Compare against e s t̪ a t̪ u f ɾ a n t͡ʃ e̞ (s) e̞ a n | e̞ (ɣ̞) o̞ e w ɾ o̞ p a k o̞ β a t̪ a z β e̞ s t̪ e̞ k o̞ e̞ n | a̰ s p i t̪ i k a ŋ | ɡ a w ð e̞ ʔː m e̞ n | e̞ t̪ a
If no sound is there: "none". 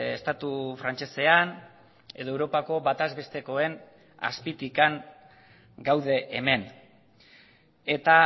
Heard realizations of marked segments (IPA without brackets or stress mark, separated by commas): s, ð̞